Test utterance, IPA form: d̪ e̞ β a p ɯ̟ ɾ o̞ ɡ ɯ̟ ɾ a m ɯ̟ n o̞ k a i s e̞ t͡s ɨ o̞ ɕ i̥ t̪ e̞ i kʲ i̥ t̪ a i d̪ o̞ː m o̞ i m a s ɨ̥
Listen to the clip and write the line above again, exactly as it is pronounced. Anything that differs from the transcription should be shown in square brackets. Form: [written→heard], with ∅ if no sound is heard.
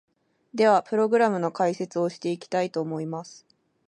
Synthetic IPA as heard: d̪ e̞ β a p ɯ̟ ɾ o̞ ɡ ɯ̟ ɾ a m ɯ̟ n o̞ k a i s e̞ t͡s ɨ o̞ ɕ i̥ t̪ e̞ i kʲ i̥ t̪ a i [d̪→t̪] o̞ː m o̞ i m a s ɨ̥

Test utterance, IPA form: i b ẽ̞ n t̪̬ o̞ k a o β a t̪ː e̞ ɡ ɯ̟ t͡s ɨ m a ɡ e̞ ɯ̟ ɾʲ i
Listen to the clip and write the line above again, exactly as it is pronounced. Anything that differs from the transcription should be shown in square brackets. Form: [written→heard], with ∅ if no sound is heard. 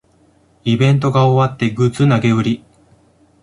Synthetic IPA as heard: i b ẽ̞ n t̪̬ o̞ [k→ɡ] a o β a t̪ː e̞ ɡ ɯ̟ t͡s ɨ [m→n] a ɡ e̞ ɯ̟ ɾʲ i

